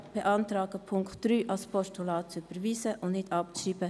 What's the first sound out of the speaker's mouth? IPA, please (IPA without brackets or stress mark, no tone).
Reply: b̥